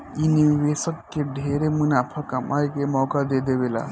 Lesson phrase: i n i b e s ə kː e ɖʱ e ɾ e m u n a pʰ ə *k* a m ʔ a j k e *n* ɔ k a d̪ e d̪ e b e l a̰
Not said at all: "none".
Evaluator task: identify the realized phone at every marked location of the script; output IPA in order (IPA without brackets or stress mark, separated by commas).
k, m